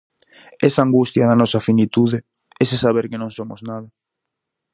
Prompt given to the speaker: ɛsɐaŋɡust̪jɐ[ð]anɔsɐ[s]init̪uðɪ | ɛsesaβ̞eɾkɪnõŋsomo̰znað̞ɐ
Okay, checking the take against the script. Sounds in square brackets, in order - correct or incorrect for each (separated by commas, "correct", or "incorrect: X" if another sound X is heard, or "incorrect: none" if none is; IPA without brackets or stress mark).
correct, incorrect: f